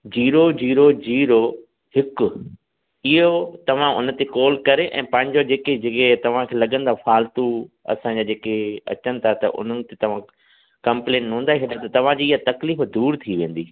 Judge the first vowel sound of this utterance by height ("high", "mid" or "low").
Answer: high